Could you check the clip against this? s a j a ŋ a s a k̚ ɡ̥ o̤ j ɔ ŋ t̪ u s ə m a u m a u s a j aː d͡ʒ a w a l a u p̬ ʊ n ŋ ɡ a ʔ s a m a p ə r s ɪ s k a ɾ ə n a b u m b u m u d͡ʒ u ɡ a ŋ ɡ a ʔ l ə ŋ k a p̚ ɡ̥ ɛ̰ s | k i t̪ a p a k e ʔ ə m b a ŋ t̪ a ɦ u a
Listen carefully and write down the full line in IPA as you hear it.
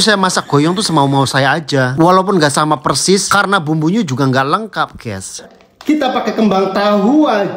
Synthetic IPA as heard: s a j a m a s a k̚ ɡ̥ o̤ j ɔ ŋ t̪ u s ə m a u m a u s a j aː d͡ʒ a w a l a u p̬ ʊ n ŋ ɡ a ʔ s a m a p ə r s ɪ s k a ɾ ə n a b u m b u ɲ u d͡ʒ u ɡ a ŋ ɡ a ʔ l ə ŋ k a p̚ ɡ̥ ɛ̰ s | k i t̪ a p a k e k ə m b a ŋ t̪ a ɦ u a